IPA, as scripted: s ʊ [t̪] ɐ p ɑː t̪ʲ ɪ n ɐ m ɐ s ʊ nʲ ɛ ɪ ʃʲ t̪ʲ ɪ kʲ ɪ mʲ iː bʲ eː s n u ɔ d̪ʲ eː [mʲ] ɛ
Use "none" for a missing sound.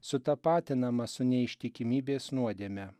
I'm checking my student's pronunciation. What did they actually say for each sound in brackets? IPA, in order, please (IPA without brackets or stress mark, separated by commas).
t̪, mʲ